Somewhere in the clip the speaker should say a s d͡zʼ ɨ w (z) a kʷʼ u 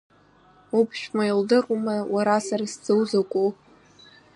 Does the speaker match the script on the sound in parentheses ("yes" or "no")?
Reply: yes